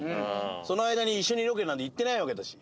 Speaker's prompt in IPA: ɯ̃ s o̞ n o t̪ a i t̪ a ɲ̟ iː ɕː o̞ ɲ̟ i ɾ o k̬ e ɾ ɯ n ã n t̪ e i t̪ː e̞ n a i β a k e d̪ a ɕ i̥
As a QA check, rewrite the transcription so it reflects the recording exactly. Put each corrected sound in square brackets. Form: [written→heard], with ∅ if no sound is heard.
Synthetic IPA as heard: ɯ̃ s o̞ n o [t̪→∅] a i [t̪→d̪] a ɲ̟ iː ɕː o̞ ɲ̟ i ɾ o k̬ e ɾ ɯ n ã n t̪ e i t̪ː e̞ n a i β a k e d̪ a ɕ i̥